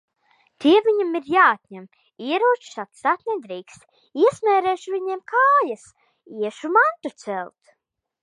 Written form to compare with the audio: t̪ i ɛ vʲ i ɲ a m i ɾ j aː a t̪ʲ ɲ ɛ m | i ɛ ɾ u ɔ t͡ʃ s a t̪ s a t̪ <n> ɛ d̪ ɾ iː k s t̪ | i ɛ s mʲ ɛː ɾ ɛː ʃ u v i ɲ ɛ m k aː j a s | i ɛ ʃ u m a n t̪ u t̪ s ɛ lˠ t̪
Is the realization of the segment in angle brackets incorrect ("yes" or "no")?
no